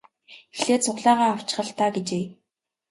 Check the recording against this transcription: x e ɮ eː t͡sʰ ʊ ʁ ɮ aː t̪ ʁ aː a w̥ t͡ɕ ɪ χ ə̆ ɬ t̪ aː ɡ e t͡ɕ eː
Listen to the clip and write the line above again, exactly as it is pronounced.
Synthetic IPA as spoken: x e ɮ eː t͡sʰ ʊ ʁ ɮ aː ʁ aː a w̥ t͡ɕ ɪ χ ə̆ ɬ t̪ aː ɡ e t͡ɕ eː